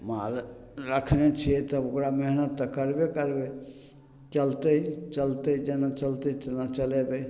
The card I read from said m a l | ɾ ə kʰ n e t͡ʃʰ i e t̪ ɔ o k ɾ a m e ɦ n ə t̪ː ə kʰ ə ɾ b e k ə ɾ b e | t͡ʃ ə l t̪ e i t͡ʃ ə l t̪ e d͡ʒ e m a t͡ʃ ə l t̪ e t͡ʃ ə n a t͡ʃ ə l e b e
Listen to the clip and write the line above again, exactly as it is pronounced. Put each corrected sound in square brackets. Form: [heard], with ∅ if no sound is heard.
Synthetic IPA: m a l | ɾ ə kʰ n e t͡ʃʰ i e t̪ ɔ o k ɾ a m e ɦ n ə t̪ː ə [k] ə ɾ b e k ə ɾ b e | t͡ʃ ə l t̪ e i t͡ʃ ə l t̪ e d͡ʒ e [n] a t͡ʃ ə l t̪ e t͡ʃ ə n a t͡ʃ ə l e b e